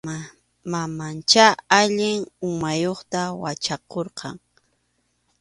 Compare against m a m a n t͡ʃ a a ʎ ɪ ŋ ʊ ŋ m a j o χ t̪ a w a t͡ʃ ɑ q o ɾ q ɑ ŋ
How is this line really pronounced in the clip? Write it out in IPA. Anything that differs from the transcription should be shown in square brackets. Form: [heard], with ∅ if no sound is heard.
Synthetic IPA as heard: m a m a n t͡ʃ a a ʎ ɪ ŋ ʊ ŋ m a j o χ t̪ a w a t͡ʃ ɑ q o ɾ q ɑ ŋ